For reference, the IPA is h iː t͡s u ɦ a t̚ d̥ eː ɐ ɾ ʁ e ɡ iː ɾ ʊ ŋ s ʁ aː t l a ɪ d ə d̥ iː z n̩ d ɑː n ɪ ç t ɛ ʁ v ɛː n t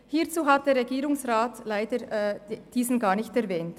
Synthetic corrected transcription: h iː t͡s uː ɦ a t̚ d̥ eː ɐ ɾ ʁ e ɡ iː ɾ ʊ ŋ s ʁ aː t l a ɪ d ə d̥ iː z n̩ ɡ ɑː n ɪ ç t ɛ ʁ v ɛː n t